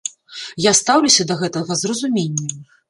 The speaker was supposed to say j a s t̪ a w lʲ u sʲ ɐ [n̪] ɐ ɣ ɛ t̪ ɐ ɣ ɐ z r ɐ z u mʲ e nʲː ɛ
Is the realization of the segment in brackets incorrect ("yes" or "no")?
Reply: yes